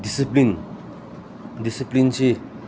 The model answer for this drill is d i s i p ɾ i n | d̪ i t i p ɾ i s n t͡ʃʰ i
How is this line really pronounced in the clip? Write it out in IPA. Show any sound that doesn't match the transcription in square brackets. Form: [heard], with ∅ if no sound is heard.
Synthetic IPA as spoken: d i s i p [l] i n | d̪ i [s] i p [l] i [∅] n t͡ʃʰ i